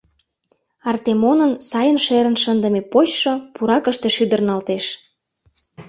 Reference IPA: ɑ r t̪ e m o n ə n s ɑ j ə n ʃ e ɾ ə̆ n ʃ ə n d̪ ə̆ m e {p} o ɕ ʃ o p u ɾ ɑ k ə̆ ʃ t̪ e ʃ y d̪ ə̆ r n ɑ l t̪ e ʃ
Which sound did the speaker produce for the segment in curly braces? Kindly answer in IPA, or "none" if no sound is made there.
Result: p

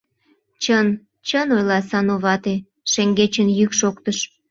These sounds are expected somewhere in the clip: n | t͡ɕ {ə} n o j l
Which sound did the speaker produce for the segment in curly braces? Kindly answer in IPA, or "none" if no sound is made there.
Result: ə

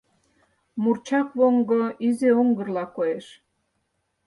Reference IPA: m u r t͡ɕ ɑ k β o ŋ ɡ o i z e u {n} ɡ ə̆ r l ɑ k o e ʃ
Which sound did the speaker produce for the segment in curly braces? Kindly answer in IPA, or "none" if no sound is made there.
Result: ŋ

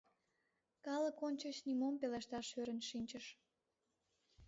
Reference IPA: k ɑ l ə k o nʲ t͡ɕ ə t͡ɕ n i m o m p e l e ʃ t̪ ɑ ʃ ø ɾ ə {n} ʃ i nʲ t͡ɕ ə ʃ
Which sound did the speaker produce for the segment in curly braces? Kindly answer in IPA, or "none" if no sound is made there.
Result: n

